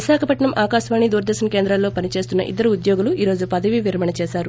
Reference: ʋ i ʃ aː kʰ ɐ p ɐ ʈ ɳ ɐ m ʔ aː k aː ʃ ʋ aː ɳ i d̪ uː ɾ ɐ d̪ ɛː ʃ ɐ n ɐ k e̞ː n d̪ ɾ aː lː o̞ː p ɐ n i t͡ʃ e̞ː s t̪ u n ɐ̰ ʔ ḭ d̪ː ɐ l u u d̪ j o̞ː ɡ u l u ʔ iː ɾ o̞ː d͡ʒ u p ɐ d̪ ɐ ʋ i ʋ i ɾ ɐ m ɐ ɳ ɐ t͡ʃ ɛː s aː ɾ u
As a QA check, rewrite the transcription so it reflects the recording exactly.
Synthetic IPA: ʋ i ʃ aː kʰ ɐ p ɐ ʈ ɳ ɐ m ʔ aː k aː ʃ ʋ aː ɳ i d̪ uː ɾ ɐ d̪ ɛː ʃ ɐ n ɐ k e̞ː n d̪ ɾ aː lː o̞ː p ɐ n i t͡ʃ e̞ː s t̪ u nː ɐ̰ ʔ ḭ d̪ː ɐ ɾ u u d̪ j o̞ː ɡ u l u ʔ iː ɾ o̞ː d͡ʒ u p ɐ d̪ ɐ ʋ i ʋ i ɾ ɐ m ɐ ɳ ɐ t͡ʃ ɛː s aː ɾ u